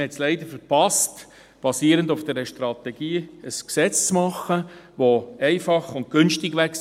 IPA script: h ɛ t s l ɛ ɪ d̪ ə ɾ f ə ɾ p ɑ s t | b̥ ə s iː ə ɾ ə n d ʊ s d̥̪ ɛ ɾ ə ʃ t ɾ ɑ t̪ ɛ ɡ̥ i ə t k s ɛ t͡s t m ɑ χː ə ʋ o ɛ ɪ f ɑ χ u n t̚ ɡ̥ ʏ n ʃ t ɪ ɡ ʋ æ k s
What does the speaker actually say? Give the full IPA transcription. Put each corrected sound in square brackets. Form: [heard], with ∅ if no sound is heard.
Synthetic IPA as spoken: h ɛ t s l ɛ ɪ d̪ ə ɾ f ə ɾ p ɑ s t | b̥ [ɑ] s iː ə ɾ ə n d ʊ [f] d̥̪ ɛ ɾ ə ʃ t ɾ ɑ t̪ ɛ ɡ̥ [iː] ə [s] k s ɛ t͡s [t͡s] m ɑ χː ə ʋ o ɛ ɪ f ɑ χ [ʊ] n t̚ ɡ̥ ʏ n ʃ t ɪ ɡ ʋ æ k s